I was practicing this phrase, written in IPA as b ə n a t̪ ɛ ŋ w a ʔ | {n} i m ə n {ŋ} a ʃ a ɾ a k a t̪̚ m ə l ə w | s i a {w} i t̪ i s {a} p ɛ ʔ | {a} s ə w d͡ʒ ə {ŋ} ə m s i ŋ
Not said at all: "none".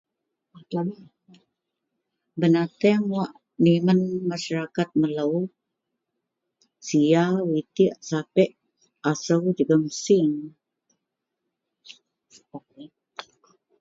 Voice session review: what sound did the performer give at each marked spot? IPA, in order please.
n, m, w, a, a, ɡ

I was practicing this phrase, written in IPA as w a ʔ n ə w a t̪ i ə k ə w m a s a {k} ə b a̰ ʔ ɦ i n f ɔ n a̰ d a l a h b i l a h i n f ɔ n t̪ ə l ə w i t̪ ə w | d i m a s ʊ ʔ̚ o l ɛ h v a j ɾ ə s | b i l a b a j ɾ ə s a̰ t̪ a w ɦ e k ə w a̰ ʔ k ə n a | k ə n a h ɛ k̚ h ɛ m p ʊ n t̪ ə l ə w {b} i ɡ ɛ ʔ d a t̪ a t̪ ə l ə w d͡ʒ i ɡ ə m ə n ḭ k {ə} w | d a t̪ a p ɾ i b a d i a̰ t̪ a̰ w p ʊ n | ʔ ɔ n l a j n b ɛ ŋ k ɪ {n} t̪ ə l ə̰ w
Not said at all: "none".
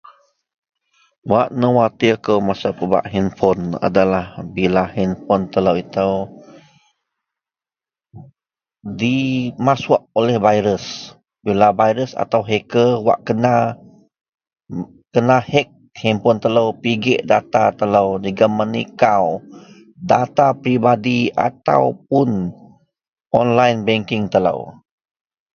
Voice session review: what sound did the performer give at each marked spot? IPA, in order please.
p, p, a, ŋ

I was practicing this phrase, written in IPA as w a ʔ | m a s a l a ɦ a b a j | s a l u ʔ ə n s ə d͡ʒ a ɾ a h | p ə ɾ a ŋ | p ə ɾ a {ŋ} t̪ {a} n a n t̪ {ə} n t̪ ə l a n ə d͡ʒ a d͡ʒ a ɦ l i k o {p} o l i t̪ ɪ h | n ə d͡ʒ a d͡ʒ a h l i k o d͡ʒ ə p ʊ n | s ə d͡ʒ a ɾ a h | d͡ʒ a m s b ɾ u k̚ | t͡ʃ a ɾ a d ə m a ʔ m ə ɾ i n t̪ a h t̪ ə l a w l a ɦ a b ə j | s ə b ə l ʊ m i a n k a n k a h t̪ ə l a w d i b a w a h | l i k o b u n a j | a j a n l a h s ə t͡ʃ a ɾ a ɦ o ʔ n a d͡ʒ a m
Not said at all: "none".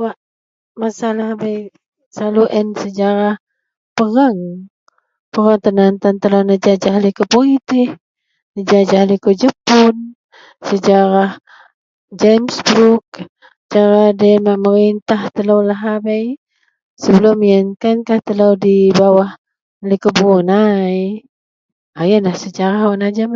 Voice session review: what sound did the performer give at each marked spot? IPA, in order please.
ŋ, ə, a, p

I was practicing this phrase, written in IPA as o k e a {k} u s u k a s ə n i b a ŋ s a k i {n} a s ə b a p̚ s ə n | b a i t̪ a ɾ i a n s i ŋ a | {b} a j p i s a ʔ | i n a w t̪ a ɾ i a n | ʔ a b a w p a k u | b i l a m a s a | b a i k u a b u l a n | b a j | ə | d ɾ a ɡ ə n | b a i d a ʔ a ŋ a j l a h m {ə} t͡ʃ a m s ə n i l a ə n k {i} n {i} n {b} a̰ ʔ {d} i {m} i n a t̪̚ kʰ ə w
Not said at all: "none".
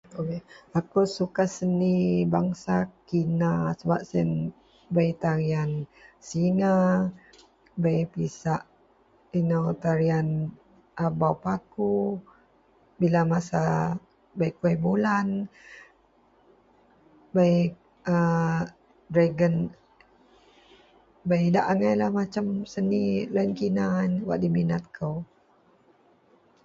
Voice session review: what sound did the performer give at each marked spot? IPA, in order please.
k, n, b, a, i, a, w, d, m

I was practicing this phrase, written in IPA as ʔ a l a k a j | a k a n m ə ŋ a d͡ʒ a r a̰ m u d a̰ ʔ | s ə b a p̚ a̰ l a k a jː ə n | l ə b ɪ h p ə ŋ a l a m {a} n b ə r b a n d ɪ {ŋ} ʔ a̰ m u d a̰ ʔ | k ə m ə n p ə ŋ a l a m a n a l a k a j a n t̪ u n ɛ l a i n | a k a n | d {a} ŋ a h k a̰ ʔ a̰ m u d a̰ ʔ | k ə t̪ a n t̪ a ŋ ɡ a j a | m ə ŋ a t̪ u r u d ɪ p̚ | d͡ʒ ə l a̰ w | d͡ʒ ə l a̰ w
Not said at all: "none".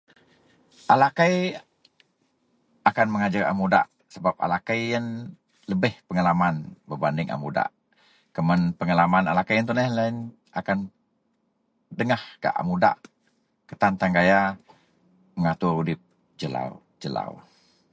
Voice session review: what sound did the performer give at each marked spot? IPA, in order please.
a, ŋ, ə

